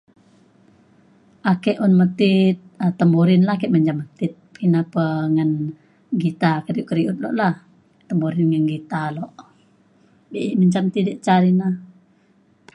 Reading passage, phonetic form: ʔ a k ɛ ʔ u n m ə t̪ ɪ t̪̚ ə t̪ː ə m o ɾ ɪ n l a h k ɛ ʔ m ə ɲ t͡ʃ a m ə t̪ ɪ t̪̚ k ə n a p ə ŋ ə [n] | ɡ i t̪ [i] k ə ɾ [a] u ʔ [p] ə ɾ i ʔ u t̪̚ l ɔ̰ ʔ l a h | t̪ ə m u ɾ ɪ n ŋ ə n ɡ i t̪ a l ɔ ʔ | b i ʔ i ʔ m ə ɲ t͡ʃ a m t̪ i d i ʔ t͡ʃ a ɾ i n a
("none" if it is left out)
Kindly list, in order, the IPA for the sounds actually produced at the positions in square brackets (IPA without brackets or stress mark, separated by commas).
n, a, i, k